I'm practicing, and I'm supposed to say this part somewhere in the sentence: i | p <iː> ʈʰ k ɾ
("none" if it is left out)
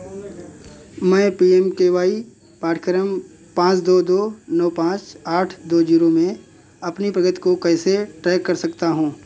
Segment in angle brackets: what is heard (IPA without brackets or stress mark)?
aː